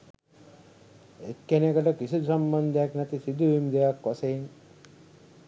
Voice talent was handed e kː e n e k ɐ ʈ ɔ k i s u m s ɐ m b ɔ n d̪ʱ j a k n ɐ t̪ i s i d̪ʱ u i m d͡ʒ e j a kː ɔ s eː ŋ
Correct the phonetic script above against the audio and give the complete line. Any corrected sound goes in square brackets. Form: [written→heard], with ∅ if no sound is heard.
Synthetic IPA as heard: e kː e n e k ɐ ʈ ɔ k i s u [m→∅] s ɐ m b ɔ n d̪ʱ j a k n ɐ t̪ i s i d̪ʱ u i m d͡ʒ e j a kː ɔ s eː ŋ